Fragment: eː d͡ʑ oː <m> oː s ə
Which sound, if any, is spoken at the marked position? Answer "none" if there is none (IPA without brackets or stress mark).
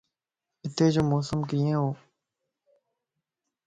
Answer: m